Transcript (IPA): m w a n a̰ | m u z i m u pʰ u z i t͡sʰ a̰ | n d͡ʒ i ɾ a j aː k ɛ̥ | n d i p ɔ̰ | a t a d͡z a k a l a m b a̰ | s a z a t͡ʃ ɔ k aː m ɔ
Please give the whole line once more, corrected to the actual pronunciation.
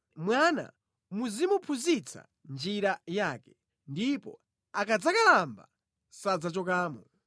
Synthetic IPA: m w a n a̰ | m u z i m u pʰ u z i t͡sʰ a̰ | n d͡ʒ i ɾ a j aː k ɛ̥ | n d i p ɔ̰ | a k a d͡z a k a l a m b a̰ | s a d͡z a t͡ʃ ɔ k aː m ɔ